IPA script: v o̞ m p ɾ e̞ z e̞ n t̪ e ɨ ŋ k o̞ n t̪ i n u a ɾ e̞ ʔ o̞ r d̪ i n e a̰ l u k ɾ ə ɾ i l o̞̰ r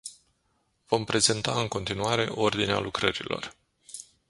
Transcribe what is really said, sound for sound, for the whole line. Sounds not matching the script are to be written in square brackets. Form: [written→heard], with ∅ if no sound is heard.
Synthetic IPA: v o̞ m p ɾ e̞ z e̞ n t̪ [e→a] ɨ ŋ k o̞ n t̪ i n u a ɾ e̞ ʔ o̞ r d̪ i n e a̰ l u k ɾ ə ɾ i l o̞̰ r